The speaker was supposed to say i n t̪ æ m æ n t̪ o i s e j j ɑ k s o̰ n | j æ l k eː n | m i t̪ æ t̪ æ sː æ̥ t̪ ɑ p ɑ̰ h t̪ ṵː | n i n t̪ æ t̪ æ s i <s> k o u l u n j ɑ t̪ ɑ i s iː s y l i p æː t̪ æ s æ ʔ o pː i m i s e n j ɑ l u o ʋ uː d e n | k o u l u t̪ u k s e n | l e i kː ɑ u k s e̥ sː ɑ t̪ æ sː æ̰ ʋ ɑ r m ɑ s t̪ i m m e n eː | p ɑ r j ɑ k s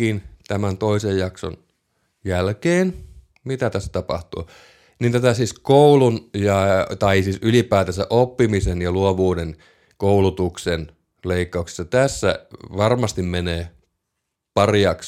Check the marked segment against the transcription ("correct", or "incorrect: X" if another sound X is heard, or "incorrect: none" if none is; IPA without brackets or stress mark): correct